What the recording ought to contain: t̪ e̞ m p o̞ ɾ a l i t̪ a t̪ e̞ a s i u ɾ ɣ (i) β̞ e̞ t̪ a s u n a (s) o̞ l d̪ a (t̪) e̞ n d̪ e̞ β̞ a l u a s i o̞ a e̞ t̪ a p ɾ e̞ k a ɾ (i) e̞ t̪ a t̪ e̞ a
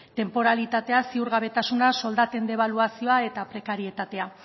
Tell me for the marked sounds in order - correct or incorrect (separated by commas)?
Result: incorrect, correct, correct, correct